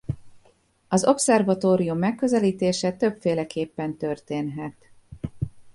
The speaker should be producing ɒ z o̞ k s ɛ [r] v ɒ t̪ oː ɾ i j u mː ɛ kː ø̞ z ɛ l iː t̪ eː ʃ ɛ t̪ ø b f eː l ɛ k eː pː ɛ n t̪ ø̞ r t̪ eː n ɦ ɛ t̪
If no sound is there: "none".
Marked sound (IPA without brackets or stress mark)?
r